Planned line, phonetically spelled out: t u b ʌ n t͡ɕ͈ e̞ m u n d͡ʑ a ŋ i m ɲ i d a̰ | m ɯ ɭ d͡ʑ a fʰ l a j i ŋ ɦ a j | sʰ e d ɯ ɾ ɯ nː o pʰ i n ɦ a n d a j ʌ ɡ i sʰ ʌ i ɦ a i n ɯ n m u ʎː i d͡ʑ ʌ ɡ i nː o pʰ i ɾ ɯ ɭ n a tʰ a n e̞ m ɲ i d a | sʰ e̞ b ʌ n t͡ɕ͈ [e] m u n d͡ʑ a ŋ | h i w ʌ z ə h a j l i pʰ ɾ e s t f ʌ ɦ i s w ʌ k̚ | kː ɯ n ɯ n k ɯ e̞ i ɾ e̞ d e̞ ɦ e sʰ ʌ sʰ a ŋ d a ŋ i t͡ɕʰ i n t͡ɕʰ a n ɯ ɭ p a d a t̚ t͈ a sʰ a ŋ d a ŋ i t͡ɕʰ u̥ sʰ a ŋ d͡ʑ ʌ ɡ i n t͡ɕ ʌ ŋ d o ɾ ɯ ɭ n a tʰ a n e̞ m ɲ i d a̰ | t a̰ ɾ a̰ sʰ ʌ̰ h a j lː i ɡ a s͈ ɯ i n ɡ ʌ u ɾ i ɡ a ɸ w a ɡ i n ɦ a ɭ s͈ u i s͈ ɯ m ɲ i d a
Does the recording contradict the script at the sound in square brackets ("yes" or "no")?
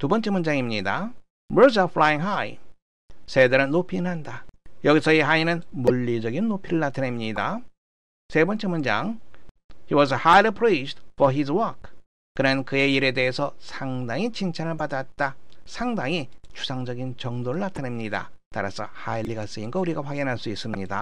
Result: no